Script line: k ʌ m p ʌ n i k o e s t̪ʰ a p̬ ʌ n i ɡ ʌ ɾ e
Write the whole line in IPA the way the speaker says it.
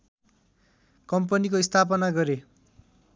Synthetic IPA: k ʌ m p ʌ n i k o i s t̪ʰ a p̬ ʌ n a ɡ ʌ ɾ e